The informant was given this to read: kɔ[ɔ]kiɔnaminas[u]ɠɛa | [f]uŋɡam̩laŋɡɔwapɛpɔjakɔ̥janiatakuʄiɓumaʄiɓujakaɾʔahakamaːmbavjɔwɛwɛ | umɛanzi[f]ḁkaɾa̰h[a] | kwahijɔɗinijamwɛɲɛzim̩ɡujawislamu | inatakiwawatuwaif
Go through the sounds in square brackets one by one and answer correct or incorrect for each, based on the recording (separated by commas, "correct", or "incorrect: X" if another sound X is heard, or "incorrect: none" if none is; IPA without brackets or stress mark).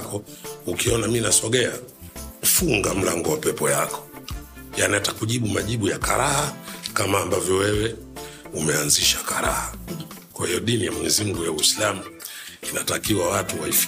incorrect: u, incorrect: ɔ, correct, incorrect: ʃ, correct